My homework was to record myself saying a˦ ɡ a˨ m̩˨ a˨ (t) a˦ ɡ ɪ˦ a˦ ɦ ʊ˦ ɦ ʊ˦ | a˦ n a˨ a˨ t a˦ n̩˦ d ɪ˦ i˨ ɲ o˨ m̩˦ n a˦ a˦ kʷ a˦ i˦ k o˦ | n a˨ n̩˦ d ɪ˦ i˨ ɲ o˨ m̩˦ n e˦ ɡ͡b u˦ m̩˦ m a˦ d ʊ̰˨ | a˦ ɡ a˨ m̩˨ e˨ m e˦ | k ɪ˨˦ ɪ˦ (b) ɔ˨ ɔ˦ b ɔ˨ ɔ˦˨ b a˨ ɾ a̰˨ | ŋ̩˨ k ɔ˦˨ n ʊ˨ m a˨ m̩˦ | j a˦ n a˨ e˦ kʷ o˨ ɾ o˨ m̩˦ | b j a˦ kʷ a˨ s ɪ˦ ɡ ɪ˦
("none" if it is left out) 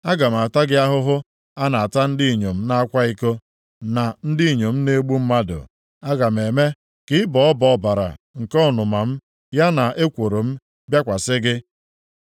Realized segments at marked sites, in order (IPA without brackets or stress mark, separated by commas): t, b